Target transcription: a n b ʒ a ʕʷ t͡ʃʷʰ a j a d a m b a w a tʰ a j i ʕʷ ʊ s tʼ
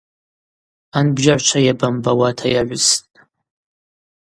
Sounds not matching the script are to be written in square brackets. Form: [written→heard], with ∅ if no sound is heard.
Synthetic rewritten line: a n b ʒ a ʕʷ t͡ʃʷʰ a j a [d→b] a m b a w a tʰ a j [i→a] ʕʷ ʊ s tʼ